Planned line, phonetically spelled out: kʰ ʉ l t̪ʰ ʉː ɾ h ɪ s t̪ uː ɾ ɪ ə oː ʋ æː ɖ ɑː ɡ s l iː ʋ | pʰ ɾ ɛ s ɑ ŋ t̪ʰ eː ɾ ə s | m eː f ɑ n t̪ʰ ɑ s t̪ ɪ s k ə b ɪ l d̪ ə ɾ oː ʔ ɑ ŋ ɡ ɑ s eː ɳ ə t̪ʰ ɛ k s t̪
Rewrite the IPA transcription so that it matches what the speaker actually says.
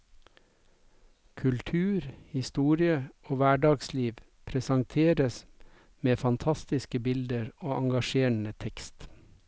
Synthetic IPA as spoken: kʰ ʉ l t̪ʰ ʉː ɾ h ɪ s t̪ uː ɾ ɪ ə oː ʋ æː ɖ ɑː ɡ s l iː ʋ | pʰ ɾ ɛ s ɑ ŋ t̪ʰ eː ɾ ə s | m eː f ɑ n t̪ʰ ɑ s t̪ ɪ s k ə b ɪ l d̪ ə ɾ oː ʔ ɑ ŋ ɡ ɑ ʃ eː ɳ ə t̪ʰ ɛ k s t̪